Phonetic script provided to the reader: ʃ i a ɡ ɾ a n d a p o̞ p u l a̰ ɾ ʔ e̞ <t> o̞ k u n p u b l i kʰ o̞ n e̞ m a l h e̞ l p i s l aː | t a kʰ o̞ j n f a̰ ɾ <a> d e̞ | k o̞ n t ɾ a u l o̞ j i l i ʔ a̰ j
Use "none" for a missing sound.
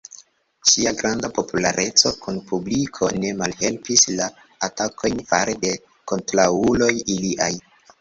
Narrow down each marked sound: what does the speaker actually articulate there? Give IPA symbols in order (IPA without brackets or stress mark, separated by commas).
t͡s, e